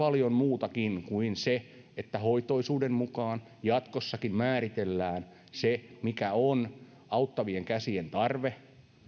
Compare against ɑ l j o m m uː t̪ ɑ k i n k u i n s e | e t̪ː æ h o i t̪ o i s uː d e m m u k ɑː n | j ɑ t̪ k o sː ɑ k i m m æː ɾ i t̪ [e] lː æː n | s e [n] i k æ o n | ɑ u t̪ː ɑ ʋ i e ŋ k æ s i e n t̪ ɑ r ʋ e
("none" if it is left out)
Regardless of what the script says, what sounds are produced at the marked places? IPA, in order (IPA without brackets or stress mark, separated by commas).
e, m